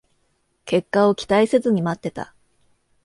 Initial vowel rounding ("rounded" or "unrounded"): unrounded